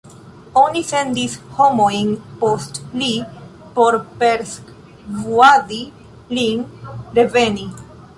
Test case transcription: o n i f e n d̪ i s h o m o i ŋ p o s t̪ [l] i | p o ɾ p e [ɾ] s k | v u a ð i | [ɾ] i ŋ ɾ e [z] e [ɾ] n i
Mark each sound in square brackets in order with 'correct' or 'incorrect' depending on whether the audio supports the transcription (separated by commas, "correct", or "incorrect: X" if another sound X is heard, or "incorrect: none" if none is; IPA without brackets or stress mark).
correct, correct, incorrect: l, incorrect: v, incorrect: none